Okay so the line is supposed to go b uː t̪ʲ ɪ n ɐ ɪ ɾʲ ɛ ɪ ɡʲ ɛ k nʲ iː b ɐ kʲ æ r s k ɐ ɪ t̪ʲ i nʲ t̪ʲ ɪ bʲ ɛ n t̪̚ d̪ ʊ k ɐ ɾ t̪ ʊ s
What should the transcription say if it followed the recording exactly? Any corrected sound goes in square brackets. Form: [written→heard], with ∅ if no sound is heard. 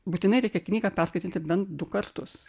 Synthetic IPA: b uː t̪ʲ ɪ n ɐ ɪ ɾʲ ɛ ɪ [ɡʲ→kʲ] ɛ k nʲ iː [b→ɡ] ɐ [kʲ→pʲ] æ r s k ɐ ɪ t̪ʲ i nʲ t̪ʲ ɪ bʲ ɛ n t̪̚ d̪ ʊ k ɐ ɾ t̪ ʊ s